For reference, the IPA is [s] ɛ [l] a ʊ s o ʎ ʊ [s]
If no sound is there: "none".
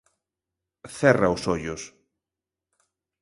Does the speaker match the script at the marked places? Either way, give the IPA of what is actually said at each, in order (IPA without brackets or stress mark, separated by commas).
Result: θ, r, s